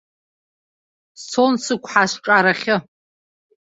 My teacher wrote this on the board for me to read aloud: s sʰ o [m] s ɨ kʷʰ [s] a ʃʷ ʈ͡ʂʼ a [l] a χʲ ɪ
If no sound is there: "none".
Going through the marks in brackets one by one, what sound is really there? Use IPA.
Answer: n, ħ, ɾ

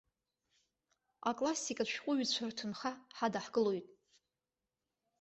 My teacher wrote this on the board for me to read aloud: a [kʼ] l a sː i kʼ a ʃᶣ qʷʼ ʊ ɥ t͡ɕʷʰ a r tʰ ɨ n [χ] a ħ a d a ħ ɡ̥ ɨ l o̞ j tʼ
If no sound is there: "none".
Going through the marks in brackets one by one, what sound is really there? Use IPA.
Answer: kʼ, χ

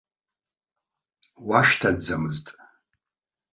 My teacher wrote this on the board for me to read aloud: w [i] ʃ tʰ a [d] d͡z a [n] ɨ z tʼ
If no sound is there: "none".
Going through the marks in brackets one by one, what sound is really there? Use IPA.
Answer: a, d, m

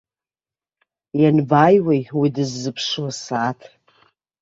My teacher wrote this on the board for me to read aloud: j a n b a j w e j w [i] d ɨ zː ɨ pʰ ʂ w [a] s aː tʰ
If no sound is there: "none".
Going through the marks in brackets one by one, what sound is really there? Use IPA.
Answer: i, a

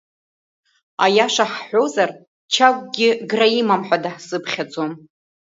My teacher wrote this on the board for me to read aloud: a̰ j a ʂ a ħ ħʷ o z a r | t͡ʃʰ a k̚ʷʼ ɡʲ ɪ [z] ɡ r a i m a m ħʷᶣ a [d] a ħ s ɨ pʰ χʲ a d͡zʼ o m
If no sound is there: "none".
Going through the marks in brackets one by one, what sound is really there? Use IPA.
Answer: none, d

